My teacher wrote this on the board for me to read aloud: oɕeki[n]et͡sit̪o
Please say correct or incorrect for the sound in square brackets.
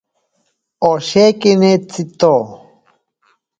correct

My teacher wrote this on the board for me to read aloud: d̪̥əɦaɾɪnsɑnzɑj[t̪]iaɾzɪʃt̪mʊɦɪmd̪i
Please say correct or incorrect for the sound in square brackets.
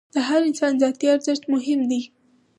correct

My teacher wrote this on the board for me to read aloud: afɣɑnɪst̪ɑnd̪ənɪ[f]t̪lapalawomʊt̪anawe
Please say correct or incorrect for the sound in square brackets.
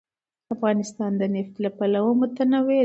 correct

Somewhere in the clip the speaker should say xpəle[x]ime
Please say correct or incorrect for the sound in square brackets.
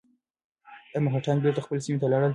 incorrect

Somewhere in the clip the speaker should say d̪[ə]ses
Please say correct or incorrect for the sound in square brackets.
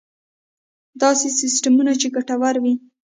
incorrect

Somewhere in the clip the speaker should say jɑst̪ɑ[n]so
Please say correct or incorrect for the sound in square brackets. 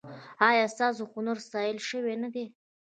incorrect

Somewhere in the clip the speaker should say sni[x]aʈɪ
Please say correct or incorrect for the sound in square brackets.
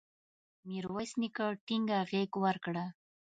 incorrect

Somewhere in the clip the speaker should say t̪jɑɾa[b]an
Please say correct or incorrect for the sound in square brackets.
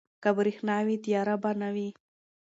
correct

